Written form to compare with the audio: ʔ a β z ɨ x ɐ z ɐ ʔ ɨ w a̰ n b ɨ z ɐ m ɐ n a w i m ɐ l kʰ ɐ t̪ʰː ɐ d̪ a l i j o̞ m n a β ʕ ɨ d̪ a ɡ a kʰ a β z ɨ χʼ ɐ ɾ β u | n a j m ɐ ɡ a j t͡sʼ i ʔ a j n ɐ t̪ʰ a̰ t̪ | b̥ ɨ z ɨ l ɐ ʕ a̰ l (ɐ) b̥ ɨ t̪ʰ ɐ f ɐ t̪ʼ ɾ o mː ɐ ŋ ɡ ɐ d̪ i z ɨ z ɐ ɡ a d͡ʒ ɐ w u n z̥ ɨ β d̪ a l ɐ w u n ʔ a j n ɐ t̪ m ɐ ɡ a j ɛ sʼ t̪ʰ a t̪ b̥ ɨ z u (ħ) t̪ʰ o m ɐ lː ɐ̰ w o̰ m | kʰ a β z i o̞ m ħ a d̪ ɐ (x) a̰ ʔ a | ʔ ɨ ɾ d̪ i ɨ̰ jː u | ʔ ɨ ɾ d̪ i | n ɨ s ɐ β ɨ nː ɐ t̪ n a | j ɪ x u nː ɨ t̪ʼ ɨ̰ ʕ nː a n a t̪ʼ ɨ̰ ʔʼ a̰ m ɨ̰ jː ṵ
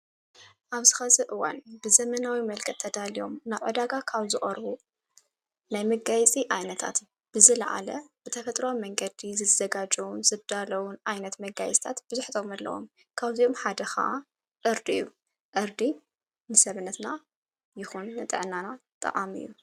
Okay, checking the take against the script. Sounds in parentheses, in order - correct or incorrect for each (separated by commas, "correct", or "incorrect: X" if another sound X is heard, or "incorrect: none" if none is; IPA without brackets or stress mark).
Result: correct, correct, correct